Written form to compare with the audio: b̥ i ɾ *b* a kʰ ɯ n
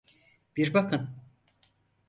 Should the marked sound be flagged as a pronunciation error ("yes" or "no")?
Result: no